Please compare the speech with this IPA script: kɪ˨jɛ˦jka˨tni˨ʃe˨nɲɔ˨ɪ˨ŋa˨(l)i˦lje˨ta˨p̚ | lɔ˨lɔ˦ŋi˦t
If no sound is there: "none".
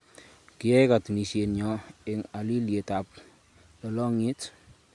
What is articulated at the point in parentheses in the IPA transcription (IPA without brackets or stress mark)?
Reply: l